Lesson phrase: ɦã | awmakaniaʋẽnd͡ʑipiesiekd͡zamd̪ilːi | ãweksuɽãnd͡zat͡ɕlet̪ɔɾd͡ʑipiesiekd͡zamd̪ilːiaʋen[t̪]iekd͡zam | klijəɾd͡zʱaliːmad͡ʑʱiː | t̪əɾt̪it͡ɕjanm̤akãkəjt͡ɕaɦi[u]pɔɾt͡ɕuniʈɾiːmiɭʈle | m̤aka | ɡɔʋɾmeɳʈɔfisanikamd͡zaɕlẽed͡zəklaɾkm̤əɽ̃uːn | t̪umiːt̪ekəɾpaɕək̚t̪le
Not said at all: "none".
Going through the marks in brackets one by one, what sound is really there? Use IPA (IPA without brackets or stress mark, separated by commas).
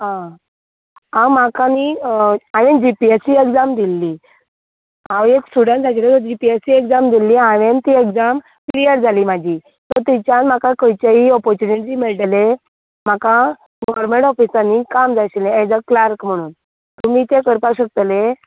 t̪, ɔ